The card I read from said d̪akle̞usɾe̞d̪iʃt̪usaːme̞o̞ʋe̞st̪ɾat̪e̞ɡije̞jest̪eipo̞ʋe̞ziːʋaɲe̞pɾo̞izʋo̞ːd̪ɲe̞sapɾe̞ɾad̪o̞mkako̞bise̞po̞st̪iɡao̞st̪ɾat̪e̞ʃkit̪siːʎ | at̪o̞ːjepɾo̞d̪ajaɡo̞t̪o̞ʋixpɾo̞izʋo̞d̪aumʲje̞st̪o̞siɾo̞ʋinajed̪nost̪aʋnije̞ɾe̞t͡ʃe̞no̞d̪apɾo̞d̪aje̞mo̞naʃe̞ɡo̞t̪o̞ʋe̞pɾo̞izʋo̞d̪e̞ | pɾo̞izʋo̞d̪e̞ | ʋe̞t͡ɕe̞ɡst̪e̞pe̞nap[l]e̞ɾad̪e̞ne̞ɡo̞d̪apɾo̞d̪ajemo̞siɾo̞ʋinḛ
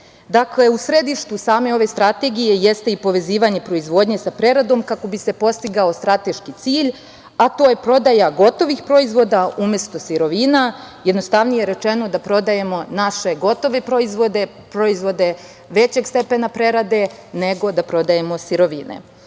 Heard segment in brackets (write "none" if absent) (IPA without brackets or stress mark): ɾ